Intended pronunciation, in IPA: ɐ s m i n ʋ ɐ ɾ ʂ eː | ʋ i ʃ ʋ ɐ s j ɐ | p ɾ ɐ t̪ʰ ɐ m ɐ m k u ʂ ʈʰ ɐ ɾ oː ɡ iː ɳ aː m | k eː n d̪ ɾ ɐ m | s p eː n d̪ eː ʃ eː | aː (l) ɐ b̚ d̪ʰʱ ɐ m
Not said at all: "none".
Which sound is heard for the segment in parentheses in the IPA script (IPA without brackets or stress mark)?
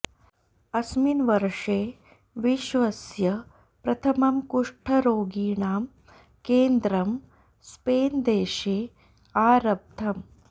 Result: ɾ